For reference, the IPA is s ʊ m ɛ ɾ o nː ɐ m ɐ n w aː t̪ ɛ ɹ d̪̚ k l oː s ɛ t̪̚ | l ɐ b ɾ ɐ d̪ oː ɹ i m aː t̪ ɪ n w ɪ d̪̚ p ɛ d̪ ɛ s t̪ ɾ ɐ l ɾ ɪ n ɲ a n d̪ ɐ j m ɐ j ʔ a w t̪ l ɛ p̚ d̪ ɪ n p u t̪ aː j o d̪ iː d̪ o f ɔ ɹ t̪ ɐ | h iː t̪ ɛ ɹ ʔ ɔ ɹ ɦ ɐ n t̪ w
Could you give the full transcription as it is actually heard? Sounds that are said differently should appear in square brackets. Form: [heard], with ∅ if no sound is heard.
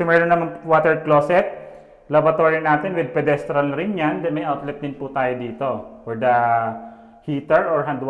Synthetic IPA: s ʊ m ɛ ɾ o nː ɐ m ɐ n w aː t̪ ɛ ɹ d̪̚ k l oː s ɛ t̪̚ | l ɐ b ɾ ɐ [t̪] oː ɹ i [n] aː t̪ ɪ n w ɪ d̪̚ p ɛ d̪ ɛ s t̪ ɾ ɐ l ɾ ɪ n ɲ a n d̪ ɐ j m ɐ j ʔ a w t̪ l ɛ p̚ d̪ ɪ n p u t̪ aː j o d̪ iː [t̪] o f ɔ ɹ [d̪] ɐ | h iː t̪ ɛ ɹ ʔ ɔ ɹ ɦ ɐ n [d̪] w